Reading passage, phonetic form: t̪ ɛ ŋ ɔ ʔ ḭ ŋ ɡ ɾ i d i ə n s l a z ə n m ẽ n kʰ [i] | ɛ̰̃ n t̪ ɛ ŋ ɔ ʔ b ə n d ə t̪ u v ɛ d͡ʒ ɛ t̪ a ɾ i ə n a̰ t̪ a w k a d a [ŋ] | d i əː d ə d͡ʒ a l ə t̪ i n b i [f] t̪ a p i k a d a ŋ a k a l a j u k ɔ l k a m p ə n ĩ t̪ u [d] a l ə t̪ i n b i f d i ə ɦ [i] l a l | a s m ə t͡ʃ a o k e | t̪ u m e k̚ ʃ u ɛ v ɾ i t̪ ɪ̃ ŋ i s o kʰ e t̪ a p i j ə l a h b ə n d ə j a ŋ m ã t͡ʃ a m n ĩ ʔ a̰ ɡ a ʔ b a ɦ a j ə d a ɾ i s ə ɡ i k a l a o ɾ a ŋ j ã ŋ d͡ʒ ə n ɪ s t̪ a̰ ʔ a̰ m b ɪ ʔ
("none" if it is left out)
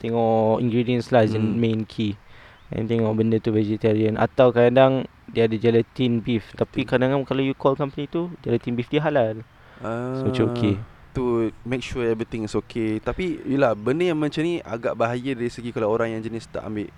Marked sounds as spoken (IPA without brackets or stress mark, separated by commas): i, ŋ, f, d͡ʒ, a